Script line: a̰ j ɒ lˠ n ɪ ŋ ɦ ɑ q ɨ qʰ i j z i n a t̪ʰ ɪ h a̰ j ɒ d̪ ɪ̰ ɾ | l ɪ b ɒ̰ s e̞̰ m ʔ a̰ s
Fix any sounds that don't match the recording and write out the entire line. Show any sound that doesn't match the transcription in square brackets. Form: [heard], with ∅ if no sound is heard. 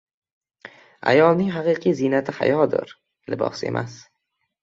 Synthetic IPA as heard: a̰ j ɒ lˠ n ɪ ŋ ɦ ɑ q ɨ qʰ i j z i n a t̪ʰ ɪ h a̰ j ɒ d̪ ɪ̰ ɾ | l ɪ b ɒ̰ s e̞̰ m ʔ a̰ s